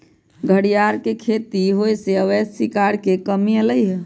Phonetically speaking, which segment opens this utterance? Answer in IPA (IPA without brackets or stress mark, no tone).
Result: ɡʱ